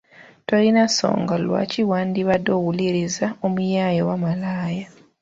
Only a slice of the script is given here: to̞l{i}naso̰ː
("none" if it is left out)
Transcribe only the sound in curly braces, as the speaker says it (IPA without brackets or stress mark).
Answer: i